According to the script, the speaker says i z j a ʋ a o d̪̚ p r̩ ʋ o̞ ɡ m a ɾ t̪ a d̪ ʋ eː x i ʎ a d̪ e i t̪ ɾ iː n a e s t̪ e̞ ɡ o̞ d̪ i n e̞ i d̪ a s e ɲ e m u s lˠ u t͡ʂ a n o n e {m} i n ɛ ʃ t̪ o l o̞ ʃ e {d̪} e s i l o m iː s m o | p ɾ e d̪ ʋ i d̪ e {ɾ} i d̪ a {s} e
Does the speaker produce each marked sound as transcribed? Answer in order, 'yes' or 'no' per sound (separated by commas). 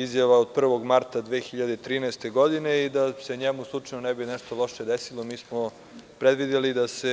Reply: no, yes, no, yes